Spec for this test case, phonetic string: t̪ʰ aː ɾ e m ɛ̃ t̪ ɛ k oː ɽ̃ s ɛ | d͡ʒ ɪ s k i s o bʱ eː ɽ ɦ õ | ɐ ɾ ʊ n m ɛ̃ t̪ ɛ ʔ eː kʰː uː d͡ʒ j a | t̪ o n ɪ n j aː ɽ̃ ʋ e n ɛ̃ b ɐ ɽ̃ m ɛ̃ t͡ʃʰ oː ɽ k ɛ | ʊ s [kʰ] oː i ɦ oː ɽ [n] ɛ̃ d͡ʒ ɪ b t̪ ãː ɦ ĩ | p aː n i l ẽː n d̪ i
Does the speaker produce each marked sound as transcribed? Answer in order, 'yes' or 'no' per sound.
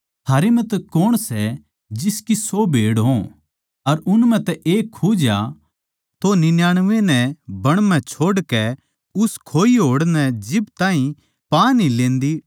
yes, yes

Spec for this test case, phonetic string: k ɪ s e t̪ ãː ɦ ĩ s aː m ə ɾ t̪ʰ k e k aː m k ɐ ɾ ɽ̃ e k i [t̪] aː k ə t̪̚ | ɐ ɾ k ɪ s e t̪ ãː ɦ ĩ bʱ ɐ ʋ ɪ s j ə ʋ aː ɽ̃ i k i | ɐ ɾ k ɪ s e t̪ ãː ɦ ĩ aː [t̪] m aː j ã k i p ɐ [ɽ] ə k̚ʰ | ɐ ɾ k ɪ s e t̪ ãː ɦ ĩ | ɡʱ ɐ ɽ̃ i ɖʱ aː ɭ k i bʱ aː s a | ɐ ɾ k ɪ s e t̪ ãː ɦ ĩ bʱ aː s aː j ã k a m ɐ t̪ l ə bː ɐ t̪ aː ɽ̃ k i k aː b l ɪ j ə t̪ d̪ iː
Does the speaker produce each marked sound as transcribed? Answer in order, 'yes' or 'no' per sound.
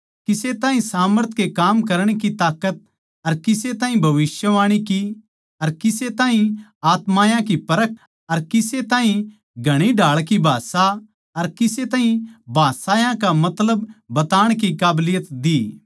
yes, yes, no

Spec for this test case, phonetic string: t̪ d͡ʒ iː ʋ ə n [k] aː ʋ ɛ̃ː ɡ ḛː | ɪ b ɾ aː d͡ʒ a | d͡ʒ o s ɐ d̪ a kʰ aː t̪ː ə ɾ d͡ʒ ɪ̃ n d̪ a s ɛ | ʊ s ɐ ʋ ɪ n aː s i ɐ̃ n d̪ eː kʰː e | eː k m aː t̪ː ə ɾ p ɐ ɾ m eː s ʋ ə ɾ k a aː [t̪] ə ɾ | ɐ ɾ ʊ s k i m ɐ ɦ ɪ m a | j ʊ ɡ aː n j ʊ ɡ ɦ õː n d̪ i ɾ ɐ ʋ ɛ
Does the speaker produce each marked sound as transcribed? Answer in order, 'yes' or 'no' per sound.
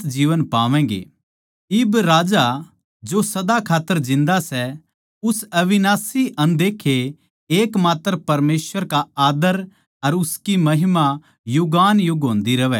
no, no

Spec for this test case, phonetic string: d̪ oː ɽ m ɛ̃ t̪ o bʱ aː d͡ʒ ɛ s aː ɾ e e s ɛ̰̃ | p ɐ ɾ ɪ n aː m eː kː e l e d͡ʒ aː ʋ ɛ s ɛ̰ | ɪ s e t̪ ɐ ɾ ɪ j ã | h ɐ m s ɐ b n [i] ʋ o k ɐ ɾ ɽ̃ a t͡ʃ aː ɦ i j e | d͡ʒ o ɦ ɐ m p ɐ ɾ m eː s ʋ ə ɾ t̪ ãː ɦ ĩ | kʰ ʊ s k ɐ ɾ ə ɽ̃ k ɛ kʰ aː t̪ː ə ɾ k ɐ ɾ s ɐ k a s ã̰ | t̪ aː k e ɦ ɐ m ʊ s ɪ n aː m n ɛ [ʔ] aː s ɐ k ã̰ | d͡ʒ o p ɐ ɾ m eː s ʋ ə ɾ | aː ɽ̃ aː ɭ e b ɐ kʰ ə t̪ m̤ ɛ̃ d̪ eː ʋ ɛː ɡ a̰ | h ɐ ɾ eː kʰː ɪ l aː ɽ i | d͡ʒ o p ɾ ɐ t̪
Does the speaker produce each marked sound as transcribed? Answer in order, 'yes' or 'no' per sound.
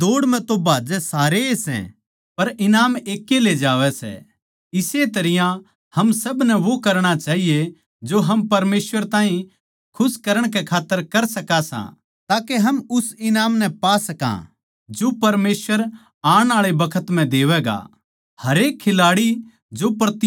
no, no

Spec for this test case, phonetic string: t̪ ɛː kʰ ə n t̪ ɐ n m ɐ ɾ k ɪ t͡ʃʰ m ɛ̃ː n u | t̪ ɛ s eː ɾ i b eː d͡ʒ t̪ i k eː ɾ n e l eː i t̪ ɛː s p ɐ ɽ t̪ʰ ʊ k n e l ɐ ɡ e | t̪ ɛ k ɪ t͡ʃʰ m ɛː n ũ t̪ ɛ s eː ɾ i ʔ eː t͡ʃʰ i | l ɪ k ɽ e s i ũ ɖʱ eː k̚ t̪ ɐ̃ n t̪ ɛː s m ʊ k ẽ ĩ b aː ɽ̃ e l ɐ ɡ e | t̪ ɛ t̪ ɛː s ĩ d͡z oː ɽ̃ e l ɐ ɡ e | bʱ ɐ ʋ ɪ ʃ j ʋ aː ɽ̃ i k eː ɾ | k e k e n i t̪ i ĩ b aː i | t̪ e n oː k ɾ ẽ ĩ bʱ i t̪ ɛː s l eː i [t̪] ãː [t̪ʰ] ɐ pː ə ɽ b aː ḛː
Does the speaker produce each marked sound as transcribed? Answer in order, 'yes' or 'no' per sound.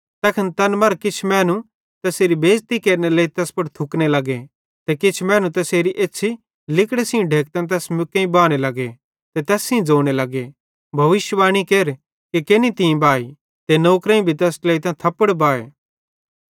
yes, yes

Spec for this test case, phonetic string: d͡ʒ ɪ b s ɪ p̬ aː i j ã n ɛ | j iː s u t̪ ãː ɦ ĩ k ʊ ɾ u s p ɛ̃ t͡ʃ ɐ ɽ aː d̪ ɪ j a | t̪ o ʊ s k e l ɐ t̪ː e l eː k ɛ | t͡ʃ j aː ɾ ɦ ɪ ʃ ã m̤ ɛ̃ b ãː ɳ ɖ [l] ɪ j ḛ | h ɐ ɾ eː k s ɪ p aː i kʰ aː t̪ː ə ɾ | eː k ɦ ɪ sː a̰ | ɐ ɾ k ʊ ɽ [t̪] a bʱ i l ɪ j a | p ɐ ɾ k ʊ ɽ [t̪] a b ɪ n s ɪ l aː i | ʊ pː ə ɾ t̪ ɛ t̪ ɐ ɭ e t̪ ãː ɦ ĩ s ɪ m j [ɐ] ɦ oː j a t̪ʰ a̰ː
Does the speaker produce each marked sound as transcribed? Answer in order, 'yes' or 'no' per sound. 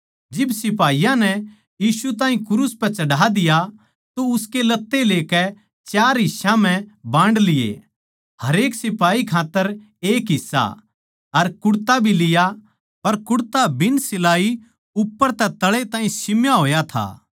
yes, yes, yes, no

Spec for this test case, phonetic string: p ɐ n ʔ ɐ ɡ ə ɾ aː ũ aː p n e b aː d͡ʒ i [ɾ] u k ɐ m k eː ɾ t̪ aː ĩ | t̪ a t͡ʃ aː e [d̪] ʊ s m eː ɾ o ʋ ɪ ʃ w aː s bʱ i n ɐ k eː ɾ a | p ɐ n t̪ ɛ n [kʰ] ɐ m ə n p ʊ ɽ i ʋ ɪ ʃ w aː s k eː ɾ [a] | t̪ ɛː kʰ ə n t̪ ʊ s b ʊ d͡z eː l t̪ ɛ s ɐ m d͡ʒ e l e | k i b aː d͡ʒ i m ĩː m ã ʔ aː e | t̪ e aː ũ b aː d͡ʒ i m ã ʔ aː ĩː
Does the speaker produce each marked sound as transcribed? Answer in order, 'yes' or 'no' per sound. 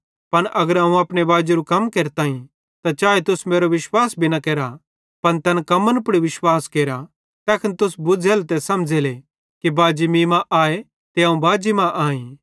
yes, no, no, yes

